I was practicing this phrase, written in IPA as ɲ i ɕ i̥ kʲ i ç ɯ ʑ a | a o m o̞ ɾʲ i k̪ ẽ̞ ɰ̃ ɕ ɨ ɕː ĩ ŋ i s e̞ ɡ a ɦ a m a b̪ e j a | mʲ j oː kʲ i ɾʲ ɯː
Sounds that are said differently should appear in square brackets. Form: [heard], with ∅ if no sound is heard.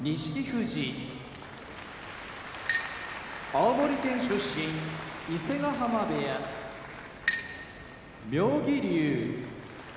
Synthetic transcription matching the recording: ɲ i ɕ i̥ kʲ i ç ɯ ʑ [i] | a o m o̞ ɾʲ i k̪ ẽ̞ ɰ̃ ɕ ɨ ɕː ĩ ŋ i s e̞ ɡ a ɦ a m a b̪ e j a | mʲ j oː [ɡʲ] i ɾʲ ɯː